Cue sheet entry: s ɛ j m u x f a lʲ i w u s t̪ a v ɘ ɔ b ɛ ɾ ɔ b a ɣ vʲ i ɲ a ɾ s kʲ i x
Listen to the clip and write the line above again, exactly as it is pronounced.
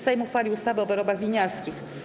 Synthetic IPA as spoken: s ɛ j m u x f a lʲ i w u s t̪ a v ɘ ɔ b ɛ ɾ ɔ b a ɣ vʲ i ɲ a ɾ s kʲ i x

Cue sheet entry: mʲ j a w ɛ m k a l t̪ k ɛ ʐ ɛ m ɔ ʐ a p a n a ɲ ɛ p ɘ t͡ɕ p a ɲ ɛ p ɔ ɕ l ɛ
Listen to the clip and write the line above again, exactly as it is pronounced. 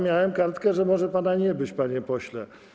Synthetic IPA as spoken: mʲ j a w ɛ m k a ɾ t̪ k ɛ ʐ ɛ m ɔ ʐ ɛ p a n a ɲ ɛ b ɘ t͡ɕ p a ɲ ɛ p ɔ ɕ l ɛ

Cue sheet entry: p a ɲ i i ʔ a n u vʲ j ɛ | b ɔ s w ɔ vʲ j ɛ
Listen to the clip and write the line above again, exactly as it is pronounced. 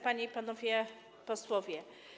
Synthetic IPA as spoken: p a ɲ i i p a n ɔ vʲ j ɛ | p ɔ s w ɔ vʲ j ɛ

